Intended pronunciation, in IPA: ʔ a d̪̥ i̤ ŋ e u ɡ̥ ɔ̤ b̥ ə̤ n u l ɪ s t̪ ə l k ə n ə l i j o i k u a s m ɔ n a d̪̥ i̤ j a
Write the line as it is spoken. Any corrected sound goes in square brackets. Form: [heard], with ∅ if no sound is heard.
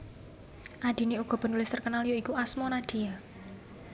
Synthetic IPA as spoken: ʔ a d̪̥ i̤ [n] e u ɡ̥ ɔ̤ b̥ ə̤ n u l ɪ s t̪ ə [r] k ə n [a] l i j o i k u a s m ɔ n a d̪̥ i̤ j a